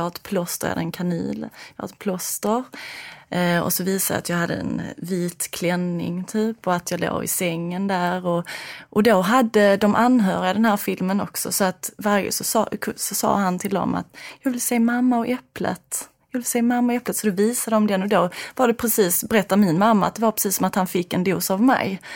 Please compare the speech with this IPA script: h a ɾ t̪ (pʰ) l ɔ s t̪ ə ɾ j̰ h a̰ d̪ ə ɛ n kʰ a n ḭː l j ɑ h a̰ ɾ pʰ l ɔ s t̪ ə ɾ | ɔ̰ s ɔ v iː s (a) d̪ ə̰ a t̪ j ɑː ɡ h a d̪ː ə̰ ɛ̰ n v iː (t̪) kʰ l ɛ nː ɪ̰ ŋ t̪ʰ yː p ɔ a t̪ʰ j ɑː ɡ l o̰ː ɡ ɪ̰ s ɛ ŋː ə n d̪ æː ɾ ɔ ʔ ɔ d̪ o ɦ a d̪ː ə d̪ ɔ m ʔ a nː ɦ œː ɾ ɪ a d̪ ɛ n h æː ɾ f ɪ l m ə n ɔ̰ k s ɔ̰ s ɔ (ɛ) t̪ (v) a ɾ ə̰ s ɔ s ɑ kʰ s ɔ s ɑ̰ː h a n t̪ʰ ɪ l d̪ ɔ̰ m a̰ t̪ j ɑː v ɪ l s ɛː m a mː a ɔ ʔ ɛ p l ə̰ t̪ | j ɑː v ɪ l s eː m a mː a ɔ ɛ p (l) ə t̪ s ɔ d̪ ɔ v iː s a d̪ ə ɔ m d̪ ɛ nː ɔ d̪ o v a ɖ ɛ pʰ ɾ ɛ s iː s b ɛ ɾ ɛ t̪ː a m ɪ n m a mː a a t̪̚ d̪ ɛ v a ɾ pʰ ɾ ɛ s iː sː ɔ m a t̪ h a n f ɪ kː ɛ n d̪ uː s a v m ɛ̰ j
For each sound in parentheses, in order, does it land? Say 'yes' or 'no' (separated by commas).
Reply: yes, yes, yes, no, yes, yes